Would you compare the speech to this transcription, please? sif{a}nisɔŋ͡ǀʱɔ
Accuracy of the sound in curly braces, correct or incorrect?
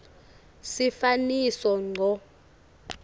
correct